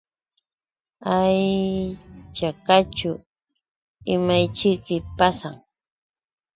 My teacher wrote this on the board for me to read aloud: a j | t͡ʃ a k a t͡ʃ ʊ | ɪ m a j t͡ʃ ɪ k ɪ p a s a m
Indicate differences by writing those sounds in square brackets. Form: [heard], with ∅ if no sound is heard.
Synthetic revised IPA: a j | t͡ʃ a k a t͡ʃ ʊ | ɪ m a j t͡ʃ ɪ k ɪ p a s a [ŋ]